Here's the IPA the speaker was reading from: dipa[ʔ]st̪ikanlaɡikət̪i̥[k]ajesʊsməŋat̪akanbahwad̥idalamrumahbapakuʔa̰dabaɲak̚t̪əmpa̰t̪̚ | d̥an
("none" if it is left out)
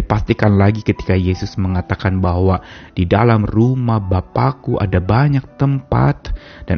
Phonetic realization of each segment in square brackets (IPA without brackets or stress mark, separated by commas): none, k